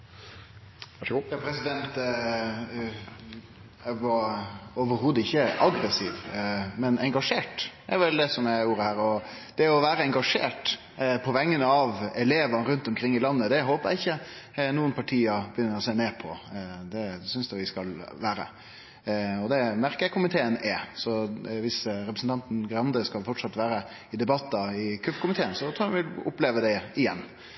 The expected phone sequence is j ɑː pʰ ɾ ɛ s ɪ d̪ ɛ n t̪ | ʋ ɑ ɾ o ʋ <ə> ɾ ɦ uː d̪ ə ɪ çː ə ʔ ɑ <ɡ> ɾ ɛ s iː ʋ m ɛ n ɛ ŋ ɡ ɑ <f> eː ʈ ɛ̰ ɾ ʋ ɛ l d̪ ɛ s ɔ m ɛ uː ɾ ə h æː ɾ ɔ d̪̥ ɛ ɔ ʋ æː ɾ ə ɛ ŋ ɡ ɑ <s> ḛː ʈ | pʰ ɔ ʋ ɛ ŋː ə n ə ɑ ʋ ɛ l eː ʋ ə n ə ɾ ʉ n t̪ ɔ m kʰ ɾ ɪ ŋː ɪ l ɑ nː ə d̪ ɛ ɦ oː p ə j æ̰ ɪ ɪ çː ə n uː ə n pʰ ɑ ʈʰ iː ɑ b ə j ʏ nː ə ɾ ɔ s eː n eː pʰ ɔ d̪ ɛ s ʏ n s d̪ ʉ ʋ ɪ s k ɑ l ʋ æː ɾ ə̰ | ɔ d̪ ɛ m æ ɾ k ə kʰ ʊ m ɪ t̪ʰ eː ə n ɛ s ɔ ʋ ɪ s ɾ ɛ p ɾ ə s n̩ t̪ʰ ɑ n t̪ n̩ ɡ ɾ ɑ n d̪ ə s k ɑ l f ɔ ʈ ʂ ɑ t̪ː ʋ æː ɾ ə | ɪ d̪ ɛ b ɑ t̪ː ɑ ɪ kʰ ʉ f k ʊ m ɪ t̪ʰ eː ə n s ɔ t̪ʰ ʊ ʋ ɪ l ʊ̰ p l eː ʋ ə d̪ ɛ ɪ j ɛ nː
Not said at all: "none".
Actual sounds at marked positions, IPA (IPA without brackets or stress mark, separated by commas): ə, ɡ, ʂ, ʂ